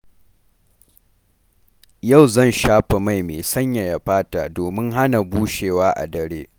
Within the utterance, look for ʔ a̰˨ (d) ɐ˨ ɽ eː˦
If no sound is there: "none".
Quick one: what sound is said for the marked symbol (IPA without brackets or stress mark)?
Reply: d